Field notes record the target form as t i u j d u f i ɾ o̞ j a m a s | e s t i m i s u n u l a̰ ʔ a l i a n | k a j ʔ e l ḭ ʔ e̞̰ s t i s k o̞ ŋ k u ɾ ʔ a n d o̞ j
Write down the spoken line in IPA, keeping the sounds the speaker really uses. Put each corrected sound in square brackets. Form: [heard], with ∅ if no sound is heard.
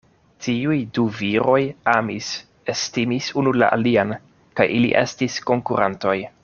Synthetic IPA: t i u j d u [v] i ɾ o̞ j a m [i] s | e s t i m i s u n u l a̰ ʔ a l i a n | k a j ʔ [i] l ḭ ʔ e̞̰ s t i s k o̞ ŋ k u ɾ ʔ a n [t] o̞ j